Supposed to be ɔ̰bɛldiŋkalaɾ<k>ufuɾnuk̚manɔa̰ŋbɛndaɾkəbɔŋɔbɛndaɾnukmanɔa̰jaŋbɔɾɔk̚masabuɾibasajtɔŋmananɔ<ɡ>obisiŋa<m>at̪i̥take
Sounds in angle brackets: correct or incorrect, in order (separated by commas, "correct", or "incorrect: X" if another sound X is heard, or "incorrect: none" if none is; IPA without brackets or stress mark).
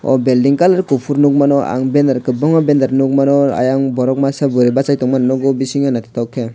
correct, correct, incorrect: n